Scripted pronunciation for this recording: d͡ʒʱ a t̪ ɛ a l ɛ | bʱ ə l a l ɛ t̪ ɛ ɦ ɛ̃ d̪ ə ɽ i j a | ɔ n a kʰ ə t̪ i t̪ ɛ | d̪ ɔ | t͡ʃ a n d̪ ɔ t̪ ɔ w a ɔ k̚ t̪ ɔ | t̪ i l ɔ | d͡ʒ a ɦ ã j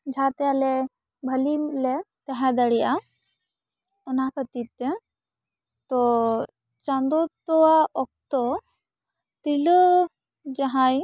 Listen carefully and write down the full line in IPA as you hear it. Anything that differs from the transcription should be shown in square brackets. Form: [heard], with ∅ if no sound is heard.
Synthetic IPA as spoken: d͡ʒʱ a t̪ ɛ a l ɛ | bʱ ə l [i] l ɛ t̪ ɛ ɦ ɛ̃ d̪ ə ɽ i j a | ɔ n a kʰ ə t̪ i t̪ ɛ | [t̪] ɔ | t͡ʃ a n d̪ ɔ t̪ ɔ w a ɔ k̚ t̪ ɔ | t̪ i l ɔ | d͡ʒ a ɦ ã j